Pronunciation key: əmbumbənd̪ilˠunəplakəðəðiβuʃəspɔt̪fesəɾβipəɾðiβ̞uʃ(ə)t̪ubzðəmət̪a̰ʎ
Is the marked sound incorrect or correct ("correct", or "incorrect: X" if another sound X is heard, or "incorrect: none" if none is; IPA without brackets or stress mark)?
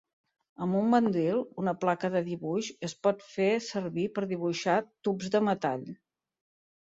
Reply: incorrect: a